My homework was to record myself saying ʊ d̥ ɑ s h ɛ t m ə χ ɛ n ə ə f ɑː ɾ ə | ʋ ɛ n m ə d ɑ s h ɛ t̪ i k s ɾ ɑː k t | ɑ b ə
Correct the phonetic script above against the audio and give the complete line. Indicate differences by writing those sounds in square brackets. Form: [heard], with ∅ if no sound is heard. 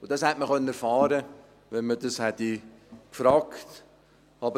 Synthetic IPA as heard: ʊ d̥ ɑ s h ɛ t m ə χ [œ] n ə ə f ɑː ɾ ə | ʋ ɛ n m ə d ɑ s h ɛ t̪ i k [f] ɾ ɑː k t | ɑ b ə

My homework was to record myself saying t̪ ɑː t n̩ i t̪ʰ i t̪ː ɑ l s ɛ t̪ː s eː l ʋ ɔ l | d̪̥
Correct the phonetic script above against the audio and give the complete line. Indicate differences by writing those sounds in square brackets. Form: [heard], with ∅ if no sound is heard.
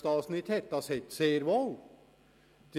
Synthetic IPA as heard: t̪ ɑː [s] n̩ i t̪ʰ [ɛ] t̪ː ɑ [∅] s ɛ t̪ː s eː [ɾ] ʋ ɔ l | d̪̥

